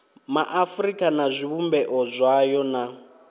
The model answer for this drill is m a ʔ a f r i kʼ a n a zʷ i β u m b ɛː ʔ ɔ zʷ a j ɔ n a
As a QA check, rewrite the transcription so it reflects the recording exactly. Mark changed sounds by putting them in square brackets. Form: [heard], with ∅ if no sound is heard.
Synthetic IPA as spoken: m a ʔ a f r i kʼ a n a zʷ i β u m b [ɛ] ʔ ɔ zʷ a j ɔ n a